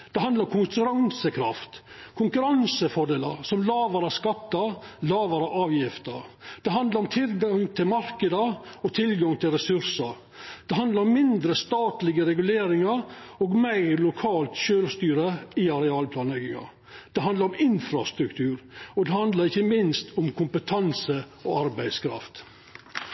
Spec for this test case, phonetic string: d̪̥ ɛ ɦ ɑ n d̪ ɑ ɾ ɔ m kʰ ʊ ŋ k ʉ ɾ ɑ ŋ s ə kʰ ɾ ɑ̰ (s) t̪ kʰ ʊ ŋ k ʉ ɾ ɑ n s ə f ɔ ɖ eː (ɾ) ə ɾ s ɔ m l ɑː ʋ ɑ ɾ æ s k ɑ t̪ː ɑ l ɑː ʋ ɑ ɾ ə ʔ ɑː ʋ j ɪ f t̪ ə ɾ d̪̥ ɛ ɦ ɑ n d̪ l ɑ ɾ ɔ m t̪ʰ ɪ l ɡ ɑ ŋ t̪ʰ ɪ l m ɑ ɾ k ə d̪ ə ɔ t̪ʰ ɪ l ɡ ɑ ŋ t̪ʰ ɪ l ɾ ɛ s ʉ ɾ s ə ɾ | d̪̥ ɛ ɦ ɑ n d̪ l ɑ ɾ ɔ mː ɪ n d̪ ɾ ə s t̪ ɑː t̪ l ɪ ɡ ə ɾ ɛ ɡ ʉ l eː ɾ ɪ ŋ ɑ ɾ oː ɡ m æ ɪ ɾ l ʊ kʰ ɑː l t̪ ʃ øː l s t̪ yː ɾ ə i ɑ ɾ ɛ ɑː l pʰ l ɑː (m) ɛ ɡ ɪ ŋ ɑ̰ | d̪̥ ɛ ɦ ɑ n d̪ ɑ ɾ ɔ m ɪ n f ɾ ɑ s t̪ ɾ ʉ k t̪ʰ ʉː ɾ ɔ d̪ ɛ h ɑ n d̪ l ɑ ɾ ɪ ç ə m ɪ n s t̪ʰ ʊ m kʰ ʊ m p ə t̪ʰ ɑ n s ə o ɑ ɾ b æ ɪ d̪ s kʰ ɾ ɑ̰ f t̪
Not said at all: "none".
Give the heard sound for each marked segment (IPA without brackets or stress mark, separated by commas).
f, l, n